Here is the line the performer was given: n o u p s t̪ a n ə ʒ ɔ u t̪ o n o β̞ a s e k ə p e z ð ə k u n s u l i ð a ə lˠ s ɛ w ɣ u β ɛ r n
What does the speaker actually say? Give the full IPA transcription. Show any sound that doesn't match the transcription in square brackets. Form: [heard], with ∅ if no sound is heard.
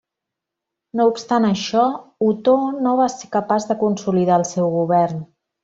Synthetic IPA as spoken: n o u p s t̪ a n ə [ʃ] ɔ u t̪ o n o β̞ a s e k ə p [a] z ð ə k u n s u l i ð a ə lˠ s ɛ w ɣ u β ɛ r n